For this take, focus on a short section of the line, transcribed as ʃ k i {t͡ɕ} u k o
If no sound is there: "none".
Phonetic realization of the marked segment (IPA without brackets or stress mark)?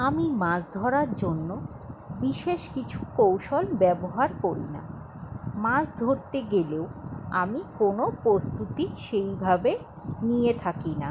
t͡ɕʰ